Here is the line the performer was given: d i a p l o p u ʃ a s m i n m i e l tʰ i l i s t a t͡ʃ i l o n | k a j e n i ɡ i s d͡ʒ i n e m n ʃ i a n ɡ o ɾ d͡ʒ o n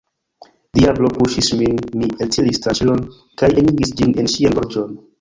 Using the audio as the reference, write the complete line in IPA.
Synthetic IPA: d i a b l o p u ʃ i s m i n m i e l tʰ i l i s t a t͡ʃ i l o n | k a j e n i ɡ i s d͡ʒ i n e n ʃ i a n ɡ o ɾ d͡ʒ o n